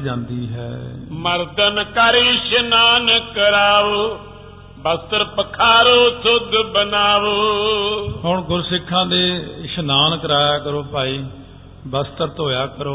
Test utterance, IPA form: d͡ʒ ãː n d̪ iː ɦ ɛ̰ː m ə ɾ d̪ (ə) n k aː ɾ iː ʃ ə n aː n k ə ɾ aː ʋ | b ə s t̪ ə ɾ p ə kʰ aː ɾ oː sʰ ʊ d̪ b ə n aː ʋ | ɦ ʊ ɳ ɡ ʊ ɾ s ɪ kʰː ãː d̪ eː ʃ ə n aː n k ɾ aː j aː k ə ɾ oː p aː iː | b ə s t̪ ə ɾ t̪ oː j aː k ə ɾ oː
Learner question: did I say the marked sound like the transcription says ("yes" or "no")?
yes